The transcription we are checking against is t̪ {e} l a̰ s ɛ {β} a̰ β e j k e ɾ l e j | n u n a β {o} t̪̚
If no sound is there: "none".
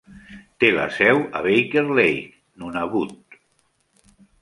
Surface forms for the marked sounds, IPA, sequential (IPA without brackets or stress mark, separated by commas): e, w, u